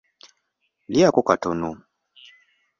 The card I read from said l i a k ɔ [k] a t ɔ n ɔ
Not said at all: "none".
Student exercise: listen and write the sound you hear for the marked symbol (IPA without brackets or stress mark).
k